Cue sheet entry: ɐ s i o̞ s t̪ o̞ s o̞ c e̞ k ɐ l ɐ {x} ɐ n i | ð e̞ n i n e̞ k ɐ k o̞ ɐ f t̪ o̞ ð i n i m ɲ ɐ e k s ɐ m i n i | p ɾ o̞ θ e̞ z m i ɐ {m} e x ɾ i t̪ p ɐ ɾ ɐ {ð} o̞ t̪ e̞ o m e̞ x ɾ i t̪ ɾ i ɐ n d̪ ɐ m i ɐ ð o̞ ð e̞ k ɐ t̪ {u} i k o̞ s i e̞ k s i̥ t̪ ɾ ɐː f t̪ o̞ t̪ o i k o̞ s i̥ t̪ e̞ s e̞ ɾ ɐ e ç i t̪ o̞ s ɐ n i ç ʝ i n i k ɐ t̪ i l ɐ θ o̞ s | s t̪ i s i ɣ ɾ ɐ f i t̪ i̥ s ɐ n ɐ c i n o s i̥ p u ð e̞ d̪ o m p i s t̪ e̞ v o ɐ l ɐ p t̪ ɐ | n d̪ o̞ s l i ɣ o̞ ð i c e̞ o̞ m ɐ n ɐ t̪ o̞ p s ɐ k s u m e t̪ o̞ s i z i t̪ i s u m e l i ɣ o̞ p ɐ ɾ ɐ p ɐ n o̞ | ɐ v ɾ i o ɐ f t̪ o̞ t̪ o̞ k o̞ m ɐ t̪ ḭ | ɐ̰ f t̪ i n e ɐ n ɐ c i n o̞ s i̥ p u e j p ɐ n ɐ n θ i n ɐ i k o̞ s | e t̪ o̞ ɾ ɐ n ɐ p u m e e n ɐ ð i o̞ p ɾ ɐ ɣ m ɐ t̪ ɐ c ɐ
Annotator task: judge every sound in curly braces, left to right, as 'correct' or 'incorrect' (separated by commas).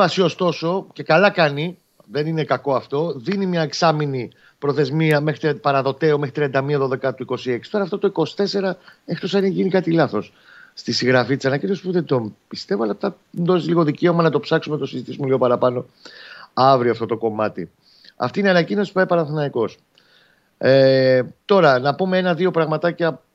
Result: incorrect, correct, correct, correct